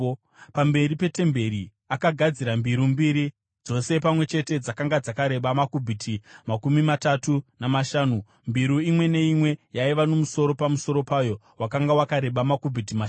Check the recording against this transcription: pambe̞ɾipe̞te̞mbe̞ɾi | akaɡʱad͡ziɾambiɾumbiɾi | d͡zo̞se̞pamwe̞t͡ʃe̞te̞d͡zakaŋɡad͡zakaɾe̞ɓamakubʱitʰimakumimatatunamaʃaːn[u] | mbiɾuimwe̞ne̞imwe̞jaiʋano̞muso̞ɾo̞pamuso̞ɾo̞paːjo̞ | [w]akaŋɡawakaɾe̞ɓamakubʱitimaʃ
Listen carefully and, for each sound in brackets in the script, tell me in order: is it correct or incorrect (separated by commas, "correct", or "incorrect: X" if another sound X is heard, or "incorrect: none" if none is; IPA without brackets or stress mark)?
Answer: correct, correct